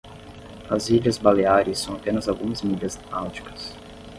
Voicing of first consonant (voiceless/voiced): voiced